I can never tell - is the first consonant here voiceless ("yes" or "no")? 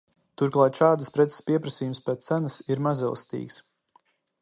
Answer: yes